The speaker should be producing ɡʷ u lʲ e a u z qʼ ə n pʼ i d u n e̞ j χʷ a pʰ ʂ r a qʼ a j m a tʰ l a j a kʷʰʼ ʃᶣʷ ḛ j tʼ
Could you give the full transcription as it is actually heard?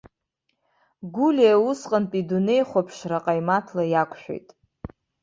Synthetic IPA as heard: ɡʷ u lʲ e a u s qʼ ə n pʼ i d u n e̞ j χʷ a pʰ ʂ r a qʼ a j m a tʰ l a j a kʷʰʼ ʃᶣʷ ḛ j tʼ